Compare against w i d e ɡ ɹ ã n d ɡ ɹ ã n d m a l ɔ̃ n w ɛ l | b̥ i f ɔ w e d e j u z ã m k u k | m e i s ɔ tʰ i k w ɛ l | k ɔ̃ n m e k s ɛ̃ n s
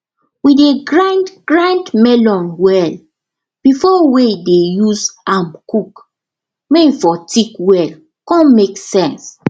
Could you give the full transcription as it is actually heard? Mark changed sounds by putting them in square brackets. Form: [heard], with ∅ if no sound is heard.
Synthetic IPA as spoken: w i d e ɡ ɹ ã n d ɡ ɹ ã n d m [ɛ] l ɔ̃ n w ɛ l | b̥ i f ɔ w e d e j u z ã m k u k | m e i [f] ɔ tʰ i k w ɛ l | k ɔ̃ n m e k s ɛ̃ n s